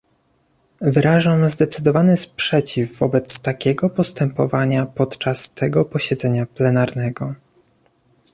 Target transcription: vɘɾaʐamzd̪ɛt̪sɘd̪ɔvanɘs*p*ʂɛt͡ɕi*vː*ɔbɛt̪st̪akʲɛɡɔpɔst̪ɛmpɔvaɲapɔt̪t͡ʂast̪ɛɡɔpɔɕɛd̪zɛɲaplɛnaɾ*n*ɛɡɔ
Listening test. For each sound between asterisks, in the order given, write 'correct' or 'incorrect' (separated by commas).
correct, correct, correct